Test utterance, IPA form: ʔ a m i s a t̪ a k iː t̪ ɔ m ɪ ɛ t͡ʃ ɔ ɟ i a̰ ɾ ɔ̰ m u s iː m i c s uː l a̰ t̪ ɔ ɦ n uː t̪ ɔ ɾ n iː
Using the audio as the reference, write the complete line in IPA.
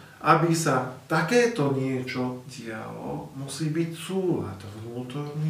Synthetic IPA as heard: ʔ a b i s a t̪ a k ɛː t̪ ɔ ɲ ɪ ɛ t͡ʃ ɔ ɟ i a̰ l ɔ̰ m u s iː b i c s uː l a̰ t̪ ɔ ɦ n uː t̪ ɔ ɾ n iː